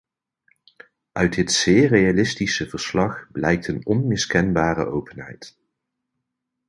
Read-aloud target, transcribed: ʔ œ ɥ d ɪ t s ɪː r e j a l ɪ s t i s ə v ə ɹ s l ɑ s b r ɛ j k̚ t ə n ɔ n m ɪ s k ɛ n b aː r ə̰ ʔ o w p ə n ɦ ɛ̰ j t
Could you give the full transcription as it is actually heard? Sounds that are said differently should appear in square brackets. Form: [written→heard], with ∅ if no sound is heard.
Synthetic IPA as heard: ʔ œ ɥ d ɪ t s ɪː r e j a l ɪ s t i s ə v ə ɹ s l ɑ [s→χ] b [r→l] ɛ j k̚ t ə n ɔ n m ɪ s k ɛ n b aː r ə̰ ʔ o w p ə n ɦ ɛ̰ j t